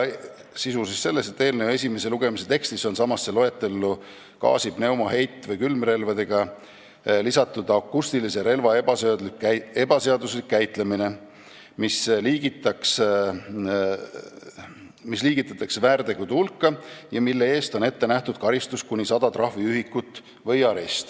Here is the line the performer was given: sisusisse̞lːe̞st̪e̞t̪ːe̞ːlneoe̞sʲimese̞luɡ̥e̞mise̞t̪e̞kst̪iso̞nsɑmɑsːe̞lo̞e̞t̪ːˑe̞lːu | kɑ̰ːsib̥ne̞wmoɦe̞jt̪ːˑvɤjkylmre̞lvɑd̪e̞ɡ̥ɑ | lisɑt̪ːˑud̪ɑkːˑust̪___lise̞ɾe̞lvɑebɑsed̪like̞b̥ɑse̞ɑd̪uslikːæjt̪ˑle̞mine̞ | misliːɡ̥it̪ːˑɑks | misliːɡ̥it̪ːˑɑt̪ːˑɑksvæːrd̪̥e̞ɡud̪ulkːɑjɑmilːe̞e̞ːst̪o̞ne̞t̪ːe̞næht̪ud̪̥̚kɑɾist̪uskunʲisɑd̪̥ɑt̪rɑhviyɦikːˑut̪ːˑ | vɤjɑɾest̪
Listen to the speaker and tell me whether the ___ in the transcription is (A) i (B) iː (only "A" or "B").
A